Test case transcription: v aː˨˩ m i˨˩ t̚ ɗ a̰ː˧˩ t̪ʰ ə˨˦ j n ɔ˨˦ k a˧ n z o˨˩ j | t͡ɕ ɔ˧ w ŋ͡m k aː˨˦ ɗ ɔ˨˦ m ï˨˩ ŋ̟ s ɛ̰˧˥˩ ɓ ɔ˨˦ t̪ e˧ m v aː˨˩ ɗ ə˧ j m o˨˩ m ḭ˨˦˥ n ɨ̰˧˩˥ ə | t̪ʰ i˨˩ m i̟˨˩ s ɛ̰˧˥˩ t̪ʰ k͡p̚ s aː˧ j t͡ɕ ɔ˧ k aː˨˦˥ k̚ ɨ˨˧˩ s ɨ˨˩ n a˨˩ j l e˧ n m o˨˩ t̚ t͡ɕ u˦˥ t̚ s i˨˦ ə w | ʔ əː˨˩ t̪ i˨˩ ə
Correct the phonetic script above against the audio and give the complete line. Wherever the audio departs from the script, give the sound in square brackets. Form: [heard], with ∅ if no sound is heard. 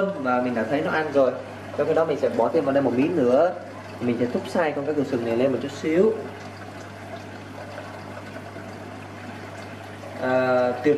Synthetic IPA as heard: v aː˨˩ m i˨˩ [∅] ɗ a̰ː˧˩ t̪ʰ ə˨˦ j n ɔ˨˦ [ʔ] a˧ n z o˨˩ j | t͡ɕ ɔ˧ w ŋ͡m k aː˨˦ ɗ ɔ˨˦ m ï˨˩ ŋ̟ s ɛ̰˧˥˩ ɓ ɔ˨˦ t̪ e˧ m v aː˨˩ ɗ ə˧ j m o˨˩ m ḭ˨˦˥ n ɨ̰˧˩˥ ə | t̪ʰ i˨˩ m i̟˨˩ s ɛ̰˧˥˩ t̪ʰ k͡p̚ s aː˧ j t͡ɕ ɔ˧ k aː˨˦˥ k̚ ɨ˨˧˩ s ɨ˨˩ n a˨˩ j l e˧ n m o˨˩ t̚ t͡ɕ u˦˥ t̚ s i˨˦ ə w | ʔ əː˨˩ t̪ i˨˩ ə

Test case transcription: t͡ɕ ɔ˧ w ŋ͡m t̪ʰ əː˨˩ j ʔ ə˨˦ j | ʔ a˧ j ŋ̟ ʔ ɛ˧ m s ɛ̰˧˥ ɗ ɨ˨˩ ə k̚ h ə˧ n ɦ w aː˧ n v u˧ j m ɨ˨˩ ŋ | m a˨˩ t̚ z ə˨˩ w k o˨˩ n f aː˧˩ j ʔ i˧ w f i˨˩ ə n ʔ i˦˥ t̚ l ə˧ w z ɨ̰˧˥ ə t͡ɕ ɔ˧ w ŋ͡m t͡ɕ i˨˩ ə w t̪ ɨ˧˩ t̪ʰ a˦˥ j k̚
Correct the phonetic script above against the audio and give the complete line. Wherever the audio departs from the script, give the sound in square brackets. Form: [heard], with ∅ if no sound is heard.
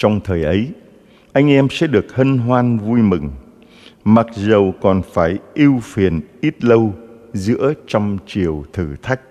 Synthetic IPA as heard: t͡ɕ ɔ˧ w ŋ͡m t̪ʰ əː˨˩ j ʔ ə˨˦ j | ʔ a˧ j ŋ̟ ʔ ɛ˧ m s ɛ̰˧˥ ɗ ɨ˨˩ ə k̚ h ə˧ n ɦ w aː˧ n v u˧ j m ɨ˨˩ ŋ | m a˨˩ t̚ z ə˨˩ w k [ɔ˨˩] n f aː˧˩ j ʔ i˧ w f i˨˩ ə n ʔ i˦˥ t̚ l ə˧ w z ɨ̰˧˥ ə t͡ɕ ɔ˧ w ŋ͡m t͡ɕ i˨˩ ə w [t̪ʰ] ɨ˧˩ t̪ʰ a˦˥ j k̚

